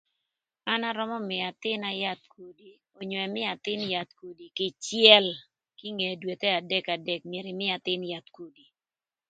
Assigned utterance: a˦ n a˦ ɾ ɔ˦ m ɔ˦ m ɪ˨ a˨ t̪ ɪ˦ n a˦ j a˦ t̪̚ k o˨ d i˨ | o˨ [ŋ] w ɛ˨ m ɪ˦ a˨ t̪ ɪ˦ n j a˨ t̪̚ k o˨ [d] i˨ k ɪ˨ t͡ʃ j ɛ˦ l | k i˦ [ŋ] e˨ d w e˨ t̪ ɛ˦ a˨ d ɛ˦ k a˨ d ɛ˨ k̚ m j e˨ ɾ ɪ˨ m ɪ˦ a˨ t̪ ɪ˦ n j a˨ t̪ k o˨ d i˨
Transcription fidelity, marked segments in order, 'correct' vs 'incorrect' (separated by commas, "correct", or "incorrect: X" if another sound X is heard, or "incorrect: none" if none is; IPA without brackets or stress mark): incorrect: ɲ, correct, correct